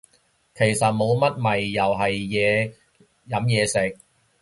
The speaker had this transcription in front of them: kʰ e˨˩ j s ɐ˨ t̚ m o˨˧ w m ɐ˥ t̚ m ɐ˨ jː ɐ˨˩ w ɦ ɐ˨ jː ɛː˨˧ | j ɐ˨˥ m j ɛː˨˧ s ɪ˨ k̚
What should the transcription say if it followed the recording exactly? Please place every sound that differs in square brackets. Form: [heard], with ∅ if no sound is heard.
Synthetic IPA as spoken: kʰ e˨˩ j s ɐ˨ t̚ m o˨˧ w m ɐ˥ t̚ m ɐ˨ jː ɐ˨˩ w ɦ ɐ˨ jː ɛː˨˧ | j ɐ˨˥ m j ɛː˨˧ s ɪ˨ k̚